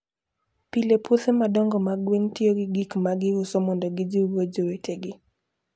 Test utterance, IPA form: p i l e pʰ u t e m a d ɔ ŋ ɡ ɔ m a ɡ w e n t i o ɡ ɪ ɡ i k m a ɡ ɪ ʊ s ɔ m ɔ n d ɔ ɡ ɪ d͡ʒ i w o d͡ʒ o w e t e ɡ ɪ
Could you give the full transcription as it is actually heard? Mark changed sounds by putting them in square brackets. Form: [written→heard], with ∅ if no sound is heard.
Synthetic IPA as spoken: p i l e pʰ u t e m a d ɔ ŋ ɡ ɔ m a ɡ w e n t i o ɡ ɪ ɡ i k m a ɡ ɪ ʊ s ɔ m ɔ n d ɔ ɡ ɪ d͡ʒ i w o d͡ʒ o w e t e ɡ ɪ